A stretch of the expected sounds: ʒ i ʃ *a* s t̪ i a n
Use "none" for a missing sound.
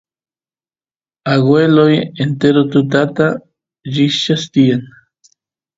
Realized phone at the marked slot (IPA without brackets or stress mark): a